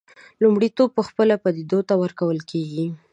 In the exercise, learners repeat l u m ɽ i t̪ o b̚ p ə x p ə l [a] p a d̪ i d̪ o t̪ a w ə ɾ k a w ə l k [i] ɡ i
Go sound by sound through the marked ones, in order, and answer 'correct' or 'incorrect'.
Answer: correct, incorrect: e

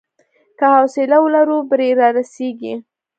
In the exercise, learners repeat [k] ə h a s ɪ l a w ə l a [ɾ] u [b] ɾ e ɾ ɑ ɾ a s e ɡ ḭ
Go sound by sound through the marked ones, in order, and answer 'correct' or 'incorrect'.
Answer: correct, correct, correct

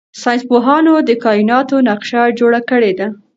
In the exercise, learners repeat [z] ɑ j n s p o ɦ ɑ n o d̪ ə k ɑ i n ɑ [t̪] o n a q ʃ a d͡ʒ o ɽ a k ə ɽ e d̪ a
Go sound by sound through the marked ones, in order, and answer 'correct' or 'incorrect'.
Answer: incorrect: s, correct

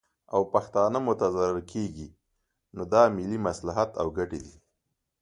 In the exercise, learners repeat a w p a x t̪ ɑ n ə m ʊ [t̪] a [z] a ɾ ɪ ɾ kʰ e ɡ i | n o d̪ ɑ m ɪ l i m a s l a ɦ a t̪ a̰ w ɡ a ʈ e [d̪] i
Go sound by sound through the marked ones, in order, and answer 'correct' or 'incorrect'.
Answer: correct, correct, correct

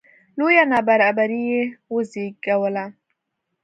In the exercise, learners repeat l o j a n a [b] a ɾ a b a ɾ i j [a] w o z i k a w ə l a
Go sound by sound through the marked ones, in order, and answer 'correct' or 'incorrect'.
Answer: correct, incorrect: e

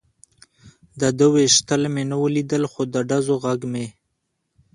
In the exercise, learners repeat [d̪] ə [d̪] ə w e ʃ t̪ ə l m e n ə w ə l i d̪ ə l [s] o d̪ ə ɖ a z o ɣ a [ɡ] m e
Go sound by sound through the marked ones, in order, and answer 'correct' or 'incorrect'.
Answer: correct, correct, incorrect: x, correct

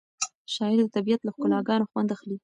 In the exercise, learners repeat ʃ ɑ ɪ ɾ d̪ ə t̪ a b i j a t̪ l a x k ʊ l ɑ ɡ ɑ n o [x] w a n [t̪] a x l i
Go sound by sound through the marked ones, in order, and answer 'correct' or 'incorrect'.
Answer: correct, incorrect: d̪

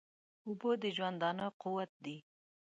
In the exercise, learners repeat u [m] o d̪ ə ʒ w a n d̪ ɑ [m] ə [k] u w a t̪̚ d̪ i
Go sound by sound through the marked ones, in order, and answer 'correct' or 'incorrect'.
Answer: incorrect: b, incorrect: n, incorrect: q

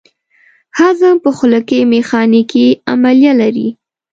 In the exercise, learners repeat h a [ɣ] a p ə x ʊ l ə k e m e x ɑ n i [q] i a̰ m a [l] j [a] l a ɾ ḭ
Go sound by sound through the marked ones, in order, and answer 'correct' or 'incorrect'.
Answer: incorrect: z, incorrect: k, correct, correct

